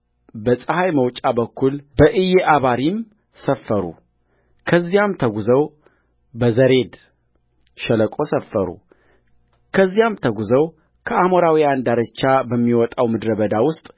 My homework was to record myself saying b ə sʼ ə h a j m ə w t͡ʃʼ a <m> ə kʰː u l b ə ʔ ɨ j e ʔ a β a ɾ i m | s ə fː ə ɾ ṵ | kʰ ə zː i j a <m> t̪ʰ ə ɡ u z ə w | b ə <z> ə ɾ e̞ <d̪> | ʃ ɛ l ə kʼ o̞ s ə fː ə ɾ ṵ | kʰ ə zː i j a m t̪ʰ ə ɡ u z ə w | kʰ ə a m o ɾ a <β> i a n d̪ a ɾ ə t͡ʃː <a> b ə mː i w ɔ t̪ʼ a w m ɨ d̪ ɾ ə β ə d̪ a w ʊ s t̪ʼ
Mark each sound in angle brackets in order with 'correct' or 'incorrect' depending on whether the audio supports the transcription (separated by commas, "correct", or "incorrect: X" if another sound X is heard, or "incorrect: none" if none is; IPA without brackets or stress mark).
incorrect: b, correct, correct, correct, incorrect: w, correct